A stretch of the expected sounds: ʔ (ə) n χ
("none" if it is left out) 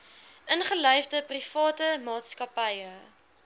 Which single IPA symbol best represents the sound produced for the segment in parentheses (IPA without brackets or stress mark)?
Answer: ə